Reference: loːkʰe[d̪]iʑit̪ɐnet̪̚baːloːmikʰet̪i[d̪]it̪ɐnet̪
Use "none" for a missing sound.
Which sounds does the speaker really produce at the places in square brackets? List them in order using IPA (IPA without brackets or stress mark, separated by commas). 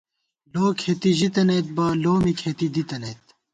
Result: t̪, d̪